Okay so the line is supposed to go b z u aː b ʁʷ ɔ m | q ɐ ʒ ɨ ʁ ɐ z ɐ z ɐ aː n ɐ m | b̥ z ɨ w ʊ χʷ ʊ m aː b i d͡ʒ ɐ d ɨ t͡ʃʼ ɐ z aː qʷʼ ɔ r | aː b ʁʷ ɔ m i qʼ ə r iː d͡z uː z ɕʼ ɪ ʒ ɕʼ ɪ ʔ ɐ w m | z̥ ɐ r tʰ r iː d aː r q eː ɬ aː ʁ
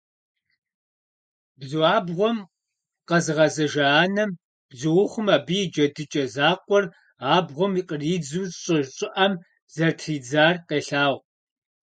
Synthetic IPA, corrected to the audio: b z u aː b ʁʷ ɔ m | q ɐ z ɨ ʁ ɐ z ɐ ʒ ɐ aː n ɐ m | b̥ z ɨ w ʊ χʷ ʊ m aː b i d͡ʒ ɐ d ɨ t͡ʃʼ ɐ z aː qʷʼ ɔ r | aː b ʁʷ ɔ m i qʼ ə r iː d͡z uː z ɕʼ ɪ ʒ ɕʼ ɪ ʔ ɐ m | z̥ ɐ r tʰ r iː d͡z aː r q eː ɬ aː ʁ

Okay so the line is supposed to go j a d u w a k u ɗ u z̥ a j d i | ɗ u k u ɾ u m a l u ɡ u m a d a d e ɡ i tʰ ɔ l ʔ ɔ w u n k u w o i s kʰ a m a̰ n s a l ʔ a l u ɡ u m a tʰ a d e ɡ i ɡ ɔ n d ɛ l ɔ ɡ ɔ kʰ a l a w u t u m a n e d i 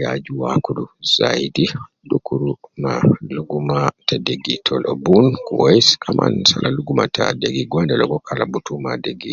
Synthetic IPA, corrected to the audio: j a d͡ʒ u w a k u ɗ u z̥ a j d i | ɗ u k u ɾ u m a l u ɡ u m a t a d e ɡ i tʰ ɔ l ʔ ɔ b u n k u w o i s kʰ a m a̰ n s a l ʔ a l u ɡ u m a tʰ a d e ɡ i ɡ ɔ n d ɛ l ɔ ɡ ɔ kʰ a l a b u t u m a d e ɡ i

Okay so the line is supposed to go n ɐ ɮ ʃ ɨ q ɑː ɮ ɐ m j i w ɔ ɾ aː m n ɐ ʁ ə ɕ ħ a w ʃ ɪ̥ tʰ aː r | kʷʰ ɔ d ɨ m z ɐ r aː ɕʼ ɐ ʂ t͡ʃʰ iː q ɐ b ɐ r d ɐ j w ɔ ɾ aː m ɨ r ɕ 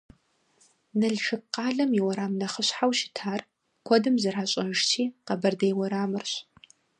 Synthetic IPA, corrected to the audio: n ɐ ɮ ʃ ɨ q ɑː ɮ ɐ m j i w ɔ ɾ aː m n ɐ χ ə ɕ ħ a w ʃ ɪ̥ tʰ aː r | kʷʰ ɔ d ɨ m z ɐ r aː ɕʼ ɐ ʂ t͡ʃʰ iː q ɐ b ɐ r d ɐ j w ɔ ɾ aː m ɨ r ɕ

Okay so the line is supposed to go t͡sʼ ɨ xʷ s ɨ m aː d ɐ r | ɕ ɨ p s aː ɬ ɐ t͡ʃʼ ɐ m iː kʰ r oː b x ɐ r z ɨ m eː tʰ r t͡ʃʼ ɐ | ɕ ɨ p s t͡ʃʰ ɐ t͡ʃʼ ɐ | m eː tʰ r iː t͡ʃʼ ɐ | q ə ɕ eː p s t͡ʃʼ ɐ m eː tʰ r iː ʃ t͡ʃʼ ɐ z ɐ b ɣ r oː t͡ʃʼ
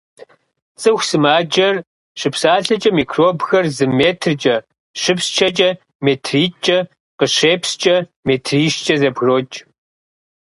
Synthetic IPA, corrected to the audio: t͡sʼ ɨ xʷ s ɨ m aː d͡ʒ ɐ r | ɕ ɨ p s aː ɬ ɐ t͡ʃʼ ɐ m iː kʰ r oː b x ɐ r z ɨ m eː tʰ r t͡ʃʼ ɐ | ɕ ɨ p s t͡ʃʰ ɐ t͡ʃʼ ɐ | m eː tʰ r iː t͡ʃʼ ɐ | q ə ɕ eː p s t͡ʃʼ ɐ m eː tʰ r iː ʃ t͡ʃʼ ɐ z ɐ b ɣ r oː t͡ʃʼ

